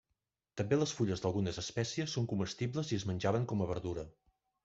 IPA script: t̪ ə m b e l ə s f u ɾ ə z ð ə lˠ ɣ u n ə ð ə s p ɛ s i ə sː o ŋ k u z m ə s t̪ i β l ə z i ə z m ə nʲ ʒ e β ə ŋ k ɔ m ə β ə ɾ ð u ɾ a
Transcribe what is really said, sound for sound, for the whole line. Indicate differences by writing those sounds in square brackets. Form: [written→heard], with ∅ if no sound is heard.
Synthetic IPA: t̪ ə m b e l ə s f u [ɾ→ʎ] ə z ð ə lˠ ɣ u n ə [ð→z] ə s p ɛ s i ə sː o ŋ k u [z→∅] m ə s t̪ i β l ə z i ə z m ə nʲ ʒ [e→a] β ə ŋ k ɔ m ə β ə ɾ ð u ɾ [a→ə]